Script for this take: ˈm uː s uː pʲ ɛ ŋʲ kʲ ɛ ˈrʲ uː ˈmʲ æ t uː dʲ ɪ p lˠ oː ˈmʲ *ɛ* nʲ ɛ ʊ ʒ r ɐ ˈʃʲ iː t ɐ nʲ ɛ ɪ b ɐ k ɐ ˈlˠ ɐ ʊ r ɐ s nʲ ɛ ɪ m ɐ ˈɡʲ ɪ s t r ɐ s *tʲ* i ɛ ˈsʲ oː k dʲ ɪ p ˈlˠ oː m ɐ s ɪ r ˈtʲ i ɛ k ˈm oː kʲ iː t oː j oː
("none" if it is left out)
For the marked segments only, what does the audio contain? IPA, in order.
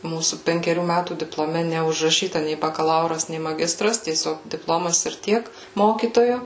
ɛ, tʲ

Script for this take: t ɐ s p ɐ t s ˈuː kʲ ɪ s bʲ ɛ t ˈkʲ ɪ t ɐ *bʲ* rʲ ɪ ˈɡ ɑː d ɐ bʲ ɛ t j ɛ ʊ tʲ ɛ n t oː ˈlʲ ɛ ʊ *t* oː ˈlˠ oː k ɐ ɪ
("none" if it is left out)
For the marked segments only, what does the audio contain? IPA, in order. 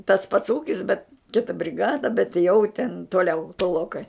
bʲ, t

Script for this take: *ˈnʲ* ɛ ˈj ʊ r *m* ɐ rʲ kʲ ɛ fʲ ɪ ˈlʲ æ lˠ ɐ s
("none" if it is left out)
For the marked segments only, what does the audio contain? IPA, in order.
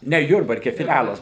nʲ, b

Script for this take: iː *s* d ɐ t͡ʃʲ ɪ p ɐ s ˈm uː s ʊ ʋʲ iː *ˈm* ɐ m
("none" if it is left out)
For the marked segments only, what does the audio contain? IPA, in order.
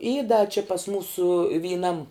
none, n

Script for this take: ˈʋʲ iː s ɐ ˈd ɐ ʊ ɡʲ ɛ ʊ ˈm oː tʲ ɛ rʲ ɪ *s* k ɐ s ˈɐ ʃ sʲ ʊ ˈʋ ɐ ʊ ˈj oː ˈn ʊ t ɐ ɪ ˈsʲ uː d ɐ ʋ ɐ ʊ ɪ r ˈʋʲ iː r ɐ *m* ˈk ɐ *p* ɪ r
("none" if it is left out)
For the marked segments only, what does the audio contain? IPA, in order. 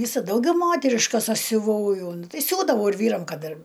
ʃ, m, t

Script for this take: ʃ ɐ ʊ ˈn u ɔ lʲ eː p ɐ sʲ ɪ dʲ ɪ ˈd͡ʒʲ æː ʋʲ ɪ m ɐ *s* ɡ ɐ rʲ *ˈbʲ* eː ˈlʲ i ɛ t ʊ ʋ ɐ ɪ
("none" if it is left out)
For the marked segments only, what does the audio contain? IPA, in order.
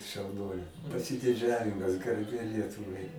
s, bʲ

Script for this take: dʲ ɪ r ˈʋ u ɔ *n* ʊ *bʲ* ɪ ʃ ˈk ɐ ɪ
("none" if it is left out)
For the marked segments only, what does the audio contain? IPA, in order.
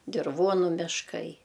n, mʲ

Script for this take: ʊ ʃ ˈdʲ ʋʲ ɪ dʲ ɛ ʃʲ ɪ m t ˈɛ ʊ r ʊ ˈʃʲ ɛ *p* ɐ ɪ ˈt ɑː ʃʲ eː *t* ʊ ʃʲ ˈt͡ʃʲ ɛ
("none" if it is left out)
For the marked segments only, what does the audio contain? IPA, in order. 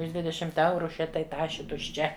t, t

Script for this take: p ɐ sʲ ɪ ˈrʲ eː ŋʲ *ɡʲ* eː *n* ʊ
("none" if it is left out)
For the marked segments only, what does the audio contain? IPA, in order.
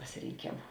kʲ, m

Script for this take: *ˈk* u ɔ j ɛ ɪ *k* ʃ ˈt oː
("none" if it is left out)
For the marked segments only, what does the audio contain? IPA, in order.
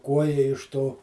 k, none

